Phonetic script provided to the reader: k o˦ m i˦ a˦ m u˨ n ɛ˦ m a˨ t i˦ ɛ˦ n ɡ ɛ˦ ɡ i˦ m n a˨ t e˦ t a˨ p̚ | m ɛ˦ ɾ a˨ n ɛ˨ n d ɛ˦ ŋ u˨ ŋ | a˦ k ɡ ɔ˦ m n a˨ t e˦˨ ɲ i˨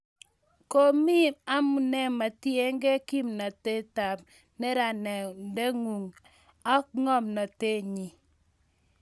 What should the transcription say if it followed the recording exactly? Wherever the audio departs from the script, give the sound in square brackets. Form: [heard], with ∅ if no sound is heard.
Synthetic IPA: k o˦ m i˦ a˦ m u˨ n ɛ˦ m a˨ t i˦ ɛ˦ [ŋ] ɡ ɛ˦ [k] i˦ m n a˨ t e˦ t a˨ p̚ | [n] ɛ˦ ɾ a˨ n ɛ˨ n d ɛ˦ ŋ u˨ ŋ | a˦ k [ŋ] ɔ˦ m n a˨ t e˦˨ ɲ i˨